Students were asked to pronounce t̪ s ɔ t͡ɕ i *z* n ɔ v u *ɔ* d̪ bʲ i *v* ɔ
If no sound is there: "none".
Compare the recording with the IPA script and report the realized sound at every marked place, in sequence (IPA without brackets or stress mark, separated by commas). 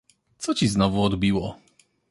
z, ɔ, w